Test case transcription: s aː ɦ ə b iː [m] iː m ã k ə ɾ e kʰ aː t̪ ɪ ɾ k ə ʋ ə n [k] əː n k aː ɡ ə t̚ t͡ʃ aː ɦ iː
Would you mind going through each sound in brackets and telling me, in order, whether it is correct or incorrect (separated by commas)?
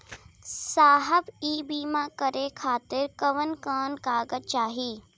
incorrect, correct